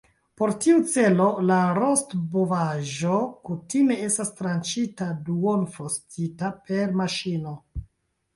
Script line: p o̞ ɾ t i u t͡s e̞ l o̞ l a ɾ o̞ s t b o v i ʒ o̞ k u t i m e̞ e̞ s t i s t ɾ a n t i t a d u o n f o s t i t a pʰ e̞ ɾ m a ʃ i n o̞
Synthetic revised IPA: p o̞ ɾ t i u t͡s e̞ l o̞ l a ɾ o̞ s t b o v a ʒ o̞ k u t i m e̞ e̞ s t a s t ɾ a n t͡ʃ i t a d u o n f o s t i t a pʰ e̞ ɾ m a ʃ i n o̞